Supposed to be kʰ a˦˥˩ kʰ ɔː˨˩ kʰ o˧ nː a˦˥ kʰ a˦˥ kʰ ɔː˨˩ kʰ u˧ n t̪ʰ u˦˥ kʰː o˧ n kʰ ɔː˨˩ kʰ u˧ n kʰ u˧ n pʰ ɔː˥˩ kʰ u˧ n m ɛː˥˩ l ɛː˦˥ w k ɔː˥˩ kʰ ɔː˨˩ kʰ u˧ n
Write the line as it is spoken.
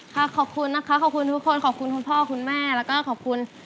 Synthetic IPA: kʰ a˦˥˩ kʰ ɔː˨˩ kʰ u˧ nː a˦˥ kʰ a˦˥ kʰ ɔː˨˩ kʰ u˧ n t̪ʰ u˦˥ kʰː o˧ n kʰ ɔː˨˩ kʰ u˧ n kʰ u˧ n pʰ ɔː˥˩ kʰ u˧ n m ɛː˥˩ l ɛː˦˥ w k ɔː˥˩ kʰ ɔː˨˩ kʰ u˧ n